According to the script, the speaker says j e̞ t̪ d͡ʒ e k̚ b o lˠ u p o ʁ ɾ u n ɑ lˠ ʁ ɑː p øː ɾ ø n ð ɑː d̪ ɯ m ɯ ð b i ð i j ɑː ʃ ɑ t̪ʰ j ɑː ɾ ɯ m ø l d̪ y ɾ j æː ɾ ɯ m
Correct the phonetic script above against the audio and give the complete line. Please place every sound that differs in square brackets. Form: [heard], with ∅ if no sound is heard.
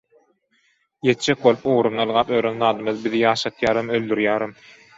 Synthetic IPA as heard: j e̞ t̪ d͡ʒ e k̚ b o lˠ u p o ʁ ɾ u n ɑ lˠ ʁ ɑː p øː ɾ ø n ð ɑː d̪ ɯ m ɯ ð b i ð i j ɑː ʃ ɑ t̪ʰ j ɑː ɾ ɯ m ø l d̪ y ɾ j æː ɾ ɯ m